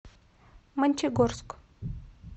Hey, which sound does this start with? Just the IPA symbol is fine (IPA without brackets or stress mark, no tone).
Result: m